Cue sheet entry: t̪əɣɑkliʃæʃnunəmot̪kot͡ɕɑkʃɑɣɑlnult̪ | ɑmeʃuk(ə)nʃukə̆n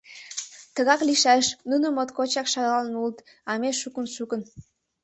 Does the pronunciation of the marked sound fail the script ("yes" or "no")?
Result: no